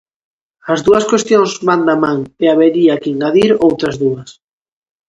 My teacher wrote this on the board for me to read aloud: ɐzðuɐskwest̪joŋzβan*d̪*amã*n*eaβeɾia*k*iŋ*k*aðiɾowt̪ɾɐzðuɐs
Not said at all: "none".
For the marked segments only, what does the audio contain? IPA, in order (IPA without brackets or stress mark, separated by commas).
d̪, ŋ, k, ɡ